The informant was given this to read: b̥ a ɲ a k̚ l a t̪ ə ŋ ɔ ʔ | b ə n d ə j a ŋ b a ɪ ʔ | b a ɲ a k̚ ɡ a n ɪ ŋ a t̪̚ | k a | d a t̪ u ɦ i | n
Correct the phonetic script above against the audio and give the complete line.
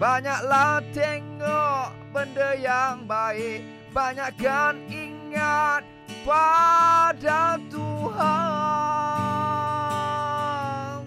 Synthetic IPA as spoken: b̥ a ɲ a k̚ l a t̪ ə ŋ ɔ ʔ | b ə n d ə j a ŋ b a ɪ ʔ | b a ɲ a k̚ ɡ a n i ŋ a t̪̚ | p a | d a t̪ u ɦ a | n